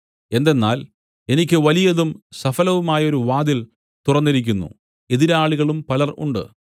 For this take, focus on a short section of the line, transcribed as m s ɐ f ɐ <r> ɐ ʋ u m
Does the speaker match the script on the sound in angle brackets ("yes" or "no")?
no